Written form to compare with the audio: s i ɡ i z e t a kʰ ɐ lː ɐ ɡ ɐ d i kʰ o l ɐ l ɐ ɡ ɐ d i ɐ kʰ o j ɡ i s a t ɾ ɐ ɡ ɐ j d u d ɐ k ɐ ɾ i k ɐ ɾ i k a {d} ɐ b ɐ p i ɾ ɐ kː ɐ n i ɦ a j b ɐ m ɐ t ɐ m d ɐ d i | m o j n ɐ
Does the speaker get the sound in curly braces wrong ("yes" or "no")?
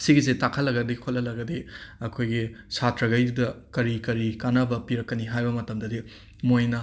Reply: yes